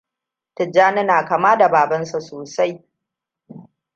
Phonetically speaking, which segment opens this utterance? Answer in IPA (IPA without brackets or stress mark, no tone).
t